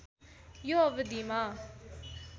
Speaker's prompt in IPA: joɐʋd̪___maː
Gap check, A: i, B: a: A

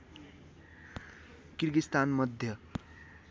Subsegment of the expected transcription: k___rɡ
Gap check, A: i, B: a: A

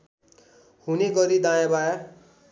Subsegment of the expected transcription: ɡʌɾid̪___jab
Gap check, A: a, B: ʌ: A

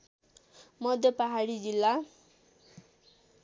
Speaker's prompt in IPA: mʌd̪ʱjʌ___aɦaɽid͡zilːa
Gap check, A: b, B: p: B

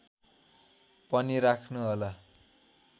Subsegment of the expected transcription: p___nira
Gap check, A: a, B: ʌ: B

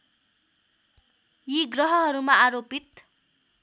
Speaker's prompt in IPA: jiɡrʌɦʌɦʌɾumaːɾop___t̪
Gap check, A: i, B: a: A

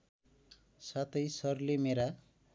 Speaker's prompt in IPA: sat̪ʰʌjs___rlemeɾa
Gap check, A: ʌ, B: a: A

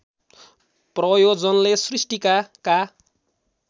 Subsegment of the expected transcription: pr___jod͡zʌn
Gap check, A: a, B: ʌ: B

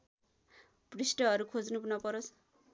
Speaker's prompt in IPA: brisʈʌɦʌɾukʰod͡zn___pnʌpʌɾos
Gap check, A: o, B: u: B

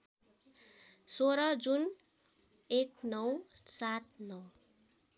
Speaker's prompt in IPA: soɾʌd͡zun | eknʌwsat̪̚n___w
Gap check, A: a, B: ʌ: B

